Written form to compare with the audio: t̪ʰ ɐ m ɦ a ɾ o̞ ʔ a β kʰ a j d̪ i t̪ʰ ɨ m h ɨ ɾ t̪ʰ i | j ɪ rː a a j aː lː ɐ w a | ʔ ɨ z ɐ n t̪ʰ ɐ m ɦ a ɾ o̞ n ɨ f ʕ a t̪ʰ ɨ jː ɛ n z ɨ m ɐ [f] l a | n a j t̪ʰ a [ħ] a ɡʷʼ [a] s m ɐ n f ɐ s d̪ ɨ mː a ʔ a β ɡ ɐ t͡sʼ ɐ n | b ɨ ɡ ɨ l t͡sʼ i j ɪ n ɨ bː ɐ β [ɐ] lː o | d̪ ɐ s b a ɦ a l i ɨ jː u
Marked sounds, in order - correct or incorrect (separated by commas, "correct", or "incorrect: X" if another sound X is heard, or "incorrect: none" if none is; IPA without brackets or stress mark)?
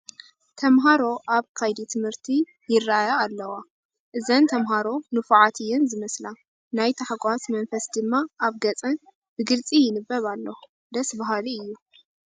incorrect: s, correct, correct, incorrect: a